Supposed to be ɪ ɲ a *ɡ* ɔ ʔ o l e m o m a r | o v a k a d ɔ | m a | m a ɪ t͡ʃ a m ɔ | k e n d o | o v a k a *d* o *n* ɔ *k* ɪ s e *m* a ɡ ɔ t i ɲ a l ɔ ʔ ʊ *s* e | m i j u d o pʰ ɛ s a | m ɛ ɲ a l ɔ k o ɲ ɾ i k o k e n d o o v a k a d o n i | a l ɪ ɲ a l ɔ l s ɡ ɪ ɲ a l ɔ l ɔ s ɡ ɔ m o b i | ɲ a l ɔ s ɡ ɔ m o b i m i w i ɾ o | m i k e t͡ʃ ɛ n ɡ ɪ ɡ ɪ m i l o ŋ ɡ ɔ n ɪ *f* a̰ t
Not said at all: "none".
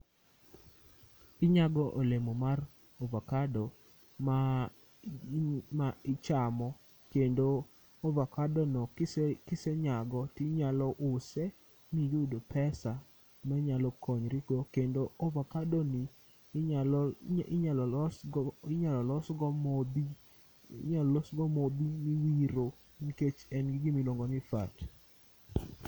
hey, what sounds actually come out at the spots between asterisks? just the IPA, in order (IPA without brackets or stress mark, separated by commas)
ɡ, d, n, k, ɲ, s, f